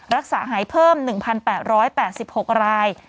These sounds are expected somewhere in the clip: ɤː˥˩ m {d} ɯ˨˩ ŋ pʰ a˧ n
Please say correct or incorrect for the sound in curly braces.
incorrect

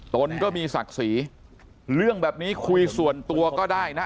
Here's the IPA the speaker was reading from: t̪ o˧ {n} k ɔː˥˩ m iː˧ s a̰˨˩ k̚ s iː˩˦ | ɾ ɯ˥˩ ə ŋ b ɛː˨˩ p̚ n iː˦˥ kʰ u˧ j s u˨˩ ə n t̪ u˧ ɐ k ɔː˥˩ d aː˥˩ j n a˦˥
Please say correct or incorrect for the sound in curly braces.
correct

